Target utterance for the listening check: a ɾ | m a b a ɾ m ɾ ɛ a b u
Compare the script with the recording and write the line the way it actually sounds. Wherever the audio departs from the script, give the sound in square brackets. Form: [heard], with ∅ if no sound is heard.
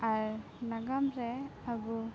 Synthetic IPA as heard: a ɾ | [n] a [ɡ] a [∅] m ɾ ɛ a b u